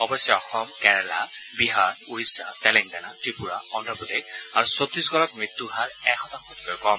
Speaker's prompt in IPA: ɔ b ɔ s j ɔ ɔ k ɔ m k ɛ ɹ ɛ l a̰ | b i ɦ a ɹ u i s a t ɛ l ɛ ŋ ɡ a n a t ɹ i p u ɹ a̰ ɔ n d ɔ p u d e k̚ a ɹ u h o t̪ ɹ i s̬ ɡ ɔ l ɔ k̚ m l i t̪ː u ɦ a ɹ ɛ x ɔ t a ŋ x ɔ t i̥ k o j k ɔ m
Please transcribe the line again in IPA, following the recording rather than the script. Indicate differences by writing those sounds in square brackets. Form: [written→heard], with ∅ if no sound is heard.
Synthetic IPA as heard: ɔ b ɔ s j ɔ ɔ [k→x] ɔ m k ɛ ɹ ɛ l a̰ | b i ɦ a ɹ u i s a t ɛ l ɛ ŋ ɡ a n a t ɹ i p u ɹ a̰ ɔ n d ɔ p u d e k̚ a ɹ u [h→s] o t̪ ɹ i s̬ ɡ ɔ l ɔ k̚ m [l→ɹ] i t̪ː u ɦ a ɹ ɛ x ɔ t a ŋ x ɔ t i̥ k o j k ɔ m

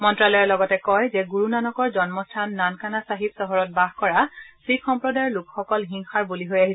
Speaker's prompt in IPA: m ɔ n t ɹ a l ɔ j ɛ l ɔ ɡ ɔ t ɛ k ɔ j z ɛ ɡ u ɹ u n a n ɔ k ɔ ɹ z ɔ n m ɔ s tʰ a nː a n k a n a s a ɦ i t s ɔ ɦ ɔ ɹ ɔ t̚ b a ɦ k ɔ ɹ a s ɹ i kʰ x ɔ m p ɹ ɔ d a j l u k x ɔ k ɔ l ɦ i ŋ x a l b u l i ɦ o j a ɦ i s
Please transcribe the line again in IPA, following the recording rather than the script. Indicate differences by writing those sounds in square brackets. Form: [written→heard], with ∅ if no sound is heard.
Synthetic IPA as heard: m ɔ n t ɹ a l ɔ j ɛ l ɔ ɡ ɔ t ɛ k ɔ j z ɛ ɡ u ɹ u n a n ɔ k ɔ ɹ z ɔ n m ɔ s tʰ a nː a n k a n a s a ɦ i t s ɔ ɦ ɔ ɹ ɔ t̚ b a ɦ k ɔ ɹ a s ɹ i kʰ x ɔ m p ɹ ɔ d a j l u k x ɔ k ɔ l ɦ i ŋ x a [l→ɹ] b u l i ɦ o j a ɦ i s

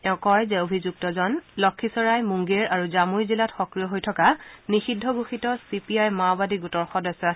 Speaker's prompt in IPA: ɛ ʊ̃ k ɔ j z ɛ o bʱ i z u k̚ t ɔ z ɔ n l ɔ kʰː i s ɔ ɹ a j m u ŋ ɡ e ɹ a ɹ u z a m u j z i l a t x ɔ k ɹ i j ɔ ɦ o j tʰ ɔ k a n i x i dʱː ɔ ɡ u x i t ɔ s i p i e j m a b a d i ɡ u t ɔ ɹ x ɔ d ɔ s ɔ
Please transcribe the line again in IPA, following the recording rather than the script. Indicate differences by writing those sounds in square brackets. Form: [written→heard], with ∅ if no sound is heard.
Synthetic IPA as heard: ɛ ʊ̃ k ɔ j z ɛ o bʱ i z u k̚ t ɔ z ɔ n l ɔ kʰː i s ɔ ɹ a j m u ŋ ɡ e ɹ a ɹ u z a m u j z i l a t x ɔ k ɹ i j ɔ ɦ o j tʰ ɔ k a n i x i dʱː ɔ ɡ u x i t ɔ s i p i [e→a] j m a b a d i ɡ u t ɔ ɹ x ɔ d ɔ s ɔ

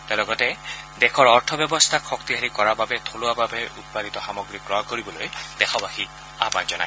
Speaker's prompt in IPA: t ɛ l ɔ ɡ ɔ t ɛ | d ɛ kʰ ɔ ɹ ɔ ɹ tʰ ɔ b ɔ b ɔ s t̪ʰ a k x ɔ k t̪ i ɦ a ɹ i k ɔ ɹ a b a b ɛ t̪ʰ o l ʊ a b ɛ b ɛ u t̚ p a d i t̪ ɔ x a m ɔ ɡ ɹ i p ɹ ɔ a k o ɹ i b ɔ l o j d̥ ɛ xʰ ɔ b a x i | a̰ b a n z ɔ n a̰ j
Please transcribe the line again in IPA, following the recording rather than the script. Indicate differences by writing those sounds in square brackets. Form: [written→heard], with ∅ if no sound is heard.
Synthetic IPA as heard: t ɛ l ɔ ɡ ɔ t ɛ | d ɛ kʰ ɔ ɹ ɔ ɹ tʰ ɔ b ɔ b ɔ s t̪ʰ a k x ɔ k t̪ i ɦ a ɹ i k ɔ ɹ a b a b ɛ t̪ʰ o l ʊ a b [ɛ→a] b ɛ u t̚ p a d i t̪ ɔ x a m ɔ ɡ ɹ i [p→k] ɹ ɔ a k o ɹ i b ɔ l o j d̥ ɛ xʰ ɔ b a x i | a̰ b a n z ɔ n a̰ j

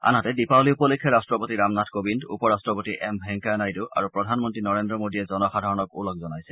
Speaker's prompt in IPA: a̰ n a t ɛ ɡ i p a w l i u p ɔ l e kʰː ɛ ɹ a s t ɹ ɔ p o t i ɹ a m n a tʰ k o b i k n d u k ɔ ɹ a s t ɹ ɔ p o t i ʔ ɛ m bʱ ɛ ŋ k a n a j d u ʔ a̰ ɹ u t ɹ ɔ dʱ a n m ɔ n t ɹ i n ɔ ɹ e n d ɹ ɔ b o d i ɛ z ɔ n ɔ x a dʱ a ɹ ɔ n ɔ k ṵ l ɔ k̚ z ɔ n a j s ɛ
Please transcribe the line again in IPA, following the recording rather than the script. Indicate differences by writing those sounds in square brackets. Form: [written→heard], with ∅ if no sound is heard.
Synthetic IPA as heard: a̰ n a t ɛ [ɡ→d] i p a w l i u p ɔ l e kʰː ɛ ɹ a s t ɹ ɔ p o t i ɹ a m n a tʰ k o b i [k→∅] n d u [k→p] ɔ ɹ a s t ɹ ɔ p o t i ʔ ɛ m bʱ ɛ ŋ k a n a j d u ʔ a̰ ɹ u [t→p] ɹ ɔ dʱ a n m ɔ n t ɹ i n ɔ ɹ e n d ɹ ɔ [b→m] o d i ɛ z ɔ n ɔ x a dʱ a ɹ ɔ n ɔ k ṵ l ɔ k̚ z ɔ n a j s ɛ

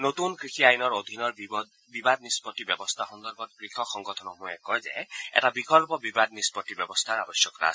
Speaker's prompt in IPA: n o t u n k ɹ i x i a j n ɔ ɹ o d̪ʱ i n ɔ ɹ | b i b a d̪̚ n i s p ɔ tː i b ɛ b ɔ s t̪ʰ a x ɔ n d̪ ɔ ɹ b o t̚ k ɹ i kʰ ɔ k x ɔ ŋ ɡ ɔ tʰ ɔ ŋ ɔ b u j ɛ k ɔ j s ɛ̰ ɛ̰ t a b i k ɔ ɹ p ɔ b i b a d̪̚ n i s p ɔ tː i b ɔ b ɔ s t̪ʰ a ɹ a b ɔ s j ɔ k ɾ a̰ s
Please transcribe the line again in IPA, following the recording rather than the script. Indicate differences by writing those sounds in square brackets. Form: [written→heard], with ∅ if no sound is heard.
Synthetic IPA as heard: n o t u n k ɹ i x i a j n ɔ ɹ o d̪ʱ i n ɔ ɹ | b i b a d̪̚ n i s p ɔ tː i b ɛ b ɔ s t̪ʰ a x ɔ n d̪ ɔ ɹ b [o→ɔ] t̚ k ɹ i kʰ ɔ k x ɔ ŋ ɡ ɔ tʰ ɔ [ŋ→n] ɔ [b→m] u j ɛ k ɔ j [s→z] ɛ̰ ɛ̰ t a b i k ɔ [ɹ→l] p ɔ b i b a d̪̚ n i s p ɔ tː i b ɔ b ɔ s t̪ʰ a ɹ a b ɔ s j ɔ k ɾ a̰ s

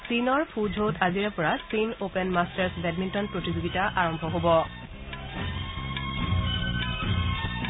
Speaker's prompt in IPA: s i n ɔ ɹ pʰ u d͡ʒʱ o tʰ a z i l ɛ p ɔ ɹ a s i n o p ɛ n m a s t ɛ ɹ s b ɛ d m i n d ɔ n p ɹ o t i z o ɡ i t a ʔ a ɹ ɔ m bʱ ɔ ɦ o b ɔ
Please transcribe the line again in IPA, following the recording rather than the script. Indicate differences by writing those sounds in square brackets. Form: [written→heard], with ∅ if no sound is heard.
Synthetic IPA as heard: s i n ɔ ɹ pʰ u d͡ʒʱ o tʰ a z i [l→ɹ] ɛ p ɔ ɹ a s i n o p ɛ n m a s t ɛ ɹ s b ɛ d m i n [d→t] ɔ n p ɹ o t i z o ɡ i t a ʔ a ɹ ɔ m bʱ ɔ ɦ o b ɔ

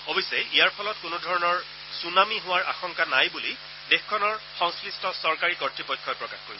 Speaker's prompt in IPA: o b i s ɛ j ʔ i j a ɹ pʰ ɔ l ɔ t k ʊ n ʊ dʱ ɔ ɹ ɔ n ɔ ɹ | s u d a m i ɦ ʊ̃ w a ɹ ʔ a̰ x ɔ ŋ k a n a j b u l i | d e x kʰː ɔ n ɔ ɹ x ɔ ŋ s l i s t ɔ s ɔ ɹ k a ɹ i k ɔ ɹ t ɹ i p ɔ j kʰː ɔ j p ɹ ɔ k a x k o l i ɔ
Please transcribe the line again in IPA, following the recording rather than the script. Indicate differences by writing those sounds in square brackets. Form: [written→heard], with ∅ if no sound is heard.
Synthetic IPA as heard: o b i s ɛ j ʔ i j a ɹ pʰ ɔ l ɔ t k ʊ n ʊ dʱ ɔ ɹ ɔ n ɔ ɹ | s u [d→n] a m i ɦ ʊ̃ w a ɹ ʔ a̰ x ɔ ŋ k a n a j b u l i | d e x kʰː ɔ n ɔ ɹ x ɔ ŋ s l i s t ɔ s ɔ ɹ k a ɹ i k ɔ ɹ t ɹ i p ɔ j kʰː ɔ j p ɹ ɔ k a x k o [l→ɹ] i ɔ

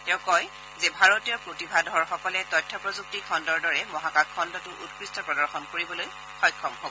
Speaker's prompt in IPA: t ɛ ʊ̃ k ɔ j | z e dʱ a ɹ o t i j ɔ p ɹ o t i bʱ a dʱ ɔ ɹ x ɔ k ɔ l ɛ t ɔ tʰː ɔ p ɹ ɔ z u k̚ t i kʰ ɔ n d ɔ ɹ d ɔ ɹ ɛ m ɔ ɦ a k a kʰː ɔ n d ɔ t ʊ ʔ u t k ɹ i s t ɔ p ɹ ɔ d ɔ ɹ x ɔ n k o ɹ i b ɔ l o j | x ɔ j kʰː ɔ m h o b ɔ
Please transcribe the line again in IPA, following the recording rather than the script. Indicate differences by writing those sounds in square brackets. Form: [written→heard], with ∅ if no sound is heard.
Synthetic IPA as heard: t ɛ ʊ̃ k ɔ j | z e [dʱ→bʱ] a ɹ o t i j ɔ p ɹ o t i bʱ a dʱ ɔ ɹ x ɔ k ɔ l ɛ t ɔ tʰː ɔ p ɹ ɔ z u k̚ t i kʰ ɔ n d ɔ ɹ d ɔ ɹ ɛ m ɔ ɦ a k a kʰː ɔ n d ɔ t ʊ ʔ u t k ɹ i s t ɔ p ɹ ɔ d ɔ ɹ x ɔ n k o ɹ i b ɔ l o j | x ɔ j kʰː ɔ m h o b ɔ

